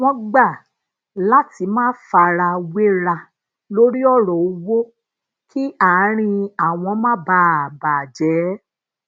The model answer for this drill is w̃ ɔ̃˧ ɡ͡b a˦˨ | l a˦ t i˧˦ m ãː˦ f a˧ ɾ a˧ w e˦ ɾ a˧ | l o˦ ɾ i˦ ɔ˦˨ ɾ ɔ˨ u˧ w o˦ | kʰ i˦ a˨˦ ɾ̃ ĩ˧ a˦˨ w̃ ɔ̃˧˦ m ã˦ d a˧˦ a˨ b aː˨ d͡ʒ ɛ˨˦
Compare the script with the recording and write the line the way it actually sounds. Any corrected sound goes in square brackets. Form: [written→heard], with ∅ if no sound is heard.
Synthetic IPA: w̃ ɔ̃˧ ɡ͡b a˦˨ | l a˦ t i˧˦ m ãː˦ f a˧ ɾ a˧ w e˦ ɾ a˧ | l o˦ ɾ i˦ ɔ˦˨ ɾ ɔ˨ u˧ w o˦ | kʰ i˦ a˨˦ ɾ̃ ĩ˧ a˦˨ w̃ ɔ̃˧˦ m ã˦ [d→b] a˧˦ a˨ b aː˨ d͡ʒ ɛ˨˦